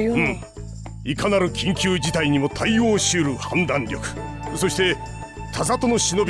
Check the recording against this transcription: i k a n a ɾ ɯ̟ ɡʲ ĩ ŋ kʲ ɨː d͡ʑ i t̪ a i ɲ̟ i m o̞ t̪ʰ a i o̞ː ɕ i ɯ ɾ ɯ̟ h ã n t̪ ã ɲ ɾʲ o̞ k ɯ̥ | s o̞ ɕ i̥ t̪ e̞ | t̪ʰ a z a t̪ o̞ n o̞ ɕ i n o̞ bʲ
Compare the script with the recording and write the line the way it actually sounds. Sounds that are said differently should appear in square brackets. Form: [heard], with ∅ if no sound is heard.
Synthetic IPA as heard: i k a n a ɾ ɯ̟ [kʲ] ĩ ŋ kʲ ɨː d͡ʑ i t̪ a i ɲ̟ i m o̞ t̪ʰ a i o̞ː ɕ i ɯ ɾ ɯ̟ h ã n [d̪] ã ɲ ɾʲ o̞ k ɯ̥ | s o̞ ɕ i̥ t̪ e̞ | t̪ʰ a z a t̪ o̞ n o̞ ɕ i n o̞ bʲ